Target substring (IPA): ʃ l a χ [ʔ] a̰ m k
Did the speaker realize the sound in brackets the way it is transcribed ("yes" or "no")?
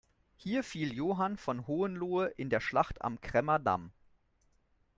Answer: no